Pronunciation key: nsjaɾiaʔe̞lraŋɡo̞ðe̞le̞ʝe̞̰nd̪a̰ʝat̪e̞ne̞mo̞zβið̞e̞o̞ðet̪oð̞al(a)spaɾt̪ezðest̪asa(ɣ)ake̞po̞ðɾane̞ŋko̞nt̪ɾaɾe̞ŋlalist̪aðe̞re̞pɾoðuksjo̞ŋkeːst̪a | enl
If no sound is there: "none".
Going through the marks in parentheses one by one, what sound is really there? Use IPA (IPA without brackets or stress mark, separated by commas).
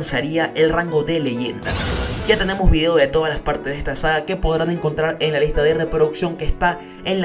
a, ɣ